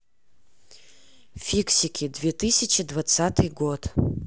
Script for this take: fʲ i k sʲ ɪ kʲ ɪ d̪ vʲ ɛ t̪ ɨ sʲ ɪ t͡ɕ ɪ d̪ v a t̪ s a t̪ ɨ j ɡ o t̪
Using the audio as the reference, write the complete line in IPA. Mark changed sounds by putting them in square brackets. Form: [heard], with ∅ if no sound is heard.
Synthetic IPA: fʲ i k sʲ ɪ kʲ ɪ d̪ vʲ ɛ t̪ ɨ sʲ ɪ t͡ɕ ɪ d̪ v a t̪ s a t̪ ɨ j ɡ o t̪